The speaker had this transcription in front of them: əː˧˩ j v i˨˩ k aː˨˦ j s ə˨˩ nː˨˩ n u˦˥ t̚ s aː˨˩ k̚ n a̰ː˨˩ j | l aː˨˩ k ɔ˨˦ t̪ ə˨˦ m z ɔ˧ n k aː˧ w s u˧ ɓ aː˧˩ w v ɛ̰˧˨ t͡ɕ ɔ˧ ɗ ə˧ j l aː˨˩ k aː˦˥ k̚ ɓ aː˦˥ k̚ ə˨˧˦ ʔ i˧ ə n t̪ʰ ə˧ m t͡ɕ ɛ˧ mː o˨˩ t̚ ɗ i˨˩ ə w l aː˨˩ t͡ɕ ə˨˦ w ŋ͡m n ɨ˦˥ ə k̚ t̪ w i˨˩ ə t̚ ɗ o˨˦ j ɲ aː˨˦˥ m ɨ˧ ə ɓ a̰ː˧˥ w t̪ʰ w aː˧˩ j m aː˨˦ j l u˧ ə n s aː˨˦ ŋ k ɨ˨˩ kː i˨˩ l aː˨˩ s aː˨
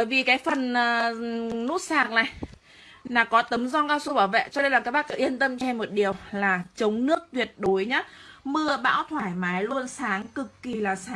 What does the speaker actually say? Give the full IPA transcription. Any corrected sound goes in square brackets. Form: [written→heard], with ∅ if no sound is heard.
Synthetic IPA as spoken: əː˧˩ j v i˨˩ k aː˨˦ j [s→f] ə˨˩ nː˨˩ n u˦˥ t̚ s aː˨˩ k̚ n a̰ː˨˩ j | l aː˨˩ k ɔ˨˦ t̪ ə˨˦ m z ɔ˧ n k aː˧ w s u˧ ɓ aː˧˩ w v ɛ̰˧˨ t͡ɕ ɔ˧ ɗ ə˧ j l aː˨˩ k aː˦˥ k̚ ɓ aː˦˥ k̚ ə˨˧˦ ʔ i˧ ə n [t̪ʰ→t̪] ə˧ m t͡ɕ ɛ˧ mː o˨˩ t̚ ɗ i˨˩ ə w l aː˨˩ t͡ɕ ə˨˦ w ŋ͡m n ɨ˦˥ ə k̚ t̪ w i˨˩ ə t̚ ɗ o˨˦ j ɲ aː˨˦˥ m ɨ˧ ə ɓ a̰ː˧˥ w t̪ʰ w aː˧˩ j m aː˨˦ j l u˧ ə n s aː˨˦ ŋ k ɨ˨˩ kː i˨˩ l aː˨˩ s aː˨

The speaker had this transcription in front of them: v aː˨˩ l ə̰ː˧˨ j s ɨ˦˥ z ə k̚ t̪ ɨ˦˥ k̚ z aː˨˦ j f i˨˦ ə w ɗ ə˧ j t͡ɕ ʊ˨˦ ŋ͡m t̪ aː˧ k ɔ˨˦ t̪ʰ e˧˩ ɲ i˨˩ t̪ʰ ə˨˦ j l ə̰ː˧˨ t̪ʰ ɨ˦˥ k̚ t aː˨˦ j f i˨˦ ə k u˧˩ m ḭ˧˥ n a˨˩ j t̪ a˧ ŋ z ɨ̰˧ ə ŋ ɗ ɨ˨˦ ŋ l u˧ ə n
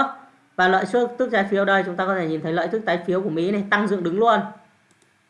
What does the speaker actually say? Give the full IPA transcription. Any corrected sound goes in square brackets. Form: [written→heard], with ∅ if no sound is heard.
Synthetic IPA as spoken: v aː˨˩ l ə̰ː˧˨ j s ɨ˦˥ [z→∅] ə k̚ t̪ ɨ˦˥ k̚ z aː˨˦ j f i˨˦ ə w ɗ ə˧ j t͡ɕ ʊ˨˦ ŋ͡m t̪ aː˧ k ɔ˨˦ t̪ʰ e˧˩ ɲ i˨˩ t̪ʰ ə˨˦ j l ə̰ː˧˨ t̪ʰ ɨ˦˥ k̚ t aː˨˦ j f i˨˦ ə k u˧˩ m ḭ˧˥ n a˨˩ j t̪ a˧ ŋ z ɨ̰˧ ə ŋ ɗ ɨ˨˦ ŋ l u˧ ə n

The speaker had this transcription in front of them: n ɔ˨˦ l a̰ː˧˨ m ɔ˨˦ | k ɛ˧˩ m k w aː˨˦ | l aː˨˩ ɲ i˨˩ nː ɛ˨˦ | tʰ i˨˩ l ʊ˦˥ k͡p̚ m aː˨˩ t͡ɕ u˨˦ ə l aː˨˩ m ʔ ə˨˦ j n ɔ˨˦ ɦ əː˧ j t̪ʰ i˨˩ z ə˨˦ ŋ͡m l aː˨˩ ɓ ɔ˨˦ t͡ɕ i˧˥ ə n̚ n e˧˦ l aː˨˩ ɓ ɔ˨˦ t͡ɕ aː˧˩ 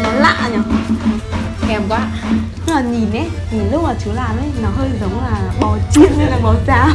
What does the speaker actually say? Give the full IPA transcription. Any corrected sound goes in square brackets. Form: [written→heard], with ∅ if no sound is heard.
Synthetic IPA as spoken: n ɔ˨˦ l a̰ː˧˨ [m→ɲ] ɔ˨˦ | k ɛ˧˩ m k w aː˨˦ | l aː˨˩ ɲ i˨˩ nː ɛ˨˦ | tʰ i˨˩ l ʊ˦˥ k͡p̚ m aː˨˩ t͡ɕ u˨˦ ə l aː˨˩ m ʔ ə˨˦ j n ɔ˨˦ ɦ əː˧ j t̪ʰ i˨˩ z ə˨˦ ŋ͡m l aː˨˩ ɓ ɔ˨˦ t͡ɕ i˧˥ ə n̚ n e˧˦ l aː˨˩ ɓ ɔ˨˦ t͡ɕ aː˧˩

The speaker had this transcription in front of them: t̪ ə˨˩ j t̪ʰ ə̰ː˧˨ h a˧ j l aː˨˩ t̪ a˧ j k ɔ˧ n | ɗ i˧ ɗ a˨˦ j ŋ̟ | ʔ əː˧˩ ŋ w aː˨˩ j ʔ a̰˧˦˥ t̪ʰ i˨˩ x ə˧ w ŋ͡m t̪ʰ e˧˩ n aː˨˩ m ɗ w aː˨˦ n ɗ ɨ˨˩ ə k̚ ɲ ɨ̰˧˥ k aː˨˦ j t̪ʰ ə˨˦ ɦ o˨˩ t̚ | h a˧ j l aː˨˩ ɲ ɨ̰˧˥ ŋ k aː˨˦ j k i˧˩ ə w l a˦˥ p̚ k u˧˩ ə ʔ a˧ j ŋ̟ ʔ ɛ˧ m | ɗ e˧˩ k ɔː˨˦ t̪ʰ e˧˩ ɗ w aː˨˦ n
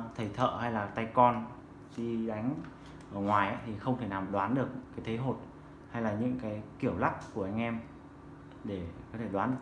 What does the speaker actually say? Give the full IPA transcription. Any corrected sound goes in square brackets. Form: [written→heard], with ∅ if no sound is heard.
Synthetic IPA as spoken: [t̪→t̪ʰ] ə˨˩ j t̪ʰ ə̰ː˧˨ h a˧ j l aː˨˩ t̪ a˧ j k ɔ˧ n | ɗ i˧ ɗ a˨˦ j ŋ̟ | ʔ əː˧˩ ŋ w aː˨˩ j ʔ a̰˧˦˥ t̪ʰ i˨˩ x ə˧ w ŋ͡m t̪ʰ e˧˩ n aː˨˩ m ɗ w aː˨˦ n ɗ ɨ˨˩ ə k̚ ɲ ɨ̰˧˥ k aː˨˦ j t̪ʰ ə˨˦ ɦ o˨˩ t̚ | h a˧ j l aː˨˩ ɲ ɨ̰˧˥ ŋ k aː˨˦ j k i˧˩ ə w l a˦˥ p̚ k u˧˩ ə ʔ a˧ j ŋ̟ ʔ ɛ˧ m | ɗ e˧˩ k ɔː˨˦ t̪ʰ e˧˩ ɗ w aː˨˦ n

